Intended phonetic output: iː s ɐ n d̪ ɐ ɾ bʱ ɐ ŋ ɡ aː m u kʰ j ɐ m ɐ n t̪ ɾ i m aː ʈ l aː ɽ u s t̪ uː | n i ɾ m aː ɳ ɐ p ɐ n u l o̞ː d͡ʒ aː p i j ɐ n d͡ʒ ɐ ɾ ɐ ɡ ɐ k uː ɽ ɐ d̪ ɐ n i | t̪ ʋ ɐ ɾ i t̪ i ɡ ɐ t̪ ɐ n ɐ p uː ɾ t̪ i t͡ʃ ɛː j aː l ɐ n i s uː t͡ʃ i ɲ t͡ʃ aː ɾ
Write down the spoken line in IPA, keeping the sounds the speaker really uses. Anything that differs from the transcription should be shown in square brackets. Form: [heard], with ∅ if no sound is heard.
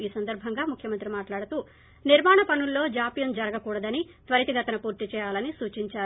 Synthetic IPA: iː s ɐ n d̪ ɐ ɾ bʱ ɐ ŋ ɡ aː m u kʰ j ɐ m ɐ n t̪ ɾ i m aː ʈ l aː ɽ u [∅] t̪ uː | n i ɾ m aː ɳ ɐ p ɐ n u [lː] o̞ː d͡ʒ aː p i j ɐ n d͡ʒ ɐ ɾ ɐ ɡ ɐ k uː ɽ ɐ d̪ ɐ n i | t̪ ʋ ɐ ɾ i t̪ i ɡ ɐ t̪ ɐ n ɐ p uː ɾ t̪ i t͡ʃ ɛː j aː l ɐ n i s uː t͡ʃ i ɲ t͡ʃ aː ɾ